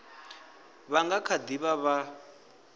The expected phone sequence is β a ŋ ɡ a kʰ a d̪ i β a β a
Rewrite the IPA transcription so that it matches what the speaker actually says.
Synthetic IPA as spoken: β a ŋ ɡ a kʰ a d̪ i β a β a